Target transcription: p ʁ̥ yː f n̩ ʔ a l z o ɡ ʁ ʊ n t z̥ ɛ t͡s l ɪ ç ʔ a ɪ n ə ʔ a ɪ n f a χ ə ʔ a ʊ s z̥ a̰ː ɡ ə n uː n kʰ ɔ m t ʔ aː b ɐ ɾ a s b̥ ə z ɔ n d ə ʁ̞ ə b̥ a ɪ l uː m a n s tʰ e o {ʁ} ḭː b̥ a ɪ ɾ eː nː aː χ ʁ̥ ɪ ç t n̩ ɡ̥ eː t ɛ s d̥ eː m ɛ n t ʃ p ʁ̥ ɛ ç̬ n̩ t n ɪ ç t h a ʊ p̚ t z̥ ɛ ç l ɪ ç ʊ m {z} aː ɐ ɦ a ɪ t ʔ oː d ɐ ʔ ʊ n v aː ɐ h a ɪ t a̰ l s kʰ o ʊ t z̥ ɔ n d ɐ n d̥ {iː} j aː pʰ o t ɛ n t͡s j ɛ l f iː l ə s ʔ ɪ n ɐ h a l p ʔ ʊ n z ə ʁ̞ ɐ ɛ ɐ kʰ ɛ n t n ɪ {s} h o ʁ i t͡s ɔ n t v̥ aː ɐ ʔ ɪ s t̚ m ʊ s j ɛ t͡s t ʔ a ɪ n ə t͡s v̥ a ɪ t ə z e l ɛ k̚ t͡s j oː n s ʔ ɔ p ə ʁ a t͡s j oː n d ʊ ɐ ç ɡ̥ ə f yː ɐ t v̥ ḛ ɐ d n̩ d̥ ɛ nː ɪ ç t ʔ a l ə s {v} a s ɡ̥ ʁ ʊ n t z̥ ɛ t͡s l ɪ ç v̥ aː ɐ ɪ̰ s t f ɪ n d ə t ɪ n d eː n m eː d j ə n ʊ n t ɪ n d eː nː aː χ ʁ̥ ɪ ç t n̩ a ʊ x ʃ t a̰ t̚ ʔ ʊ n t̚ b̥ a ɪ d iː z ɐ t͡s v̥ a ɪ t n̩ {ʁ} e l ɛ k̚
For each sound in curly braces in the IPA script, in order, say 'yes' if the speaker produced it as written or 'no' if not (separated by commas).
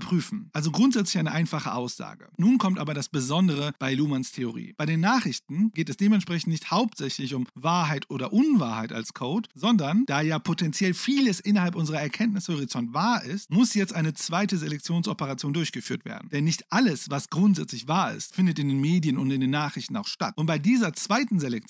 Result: yes, no, no, yes, yes, no